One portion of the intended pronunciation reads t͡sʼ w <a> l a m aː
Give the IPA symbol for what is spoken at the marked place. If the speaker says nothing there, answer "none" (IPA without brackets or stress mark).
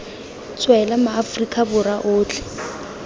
ɛ